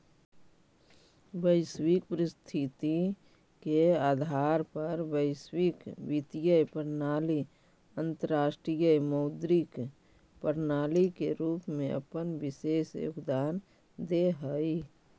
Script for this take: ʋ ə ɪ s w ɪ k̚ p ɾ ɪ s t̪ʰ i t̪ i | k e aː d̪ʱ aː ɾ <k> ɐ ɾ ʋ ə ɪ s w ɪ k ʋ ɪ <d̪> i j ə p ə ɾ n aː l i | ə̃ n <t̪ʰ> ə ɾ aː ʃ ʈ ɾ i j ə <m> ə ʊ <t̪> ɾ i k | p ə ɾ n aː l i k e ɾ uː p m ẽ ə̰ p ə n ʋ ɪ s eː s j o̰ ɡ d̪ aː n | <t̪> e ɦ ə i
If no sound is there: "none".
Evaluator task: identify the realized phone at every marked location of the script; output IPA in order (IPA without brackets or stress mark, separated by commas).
p, t̪, t̪, m, d̪, d̪